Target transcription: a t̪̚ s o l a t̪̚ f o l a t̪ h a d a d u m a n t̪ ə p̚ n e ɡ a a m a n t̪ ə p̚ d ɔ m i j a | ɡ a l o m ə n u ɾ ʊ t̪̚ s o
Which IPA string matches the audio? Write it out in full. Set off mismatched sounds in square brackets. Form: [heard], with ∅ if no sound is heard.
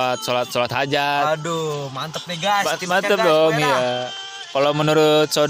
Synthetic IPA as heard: a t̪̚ s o l a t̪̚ [s] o l a t̪ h a [d͡ʒ] a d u m a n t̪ ə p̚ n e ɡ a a m a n t̪ ə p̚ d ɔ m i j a | [k] a l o m ə n u ɾ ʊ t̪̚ s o